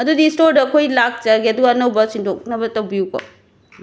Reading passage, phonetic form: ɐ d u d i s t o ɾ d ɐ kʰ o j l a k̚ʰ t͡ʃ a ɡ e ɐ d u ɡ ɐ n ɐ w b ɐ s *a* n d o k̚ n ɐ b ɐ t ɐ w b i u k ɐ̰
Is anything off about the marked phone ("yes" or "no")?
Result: yes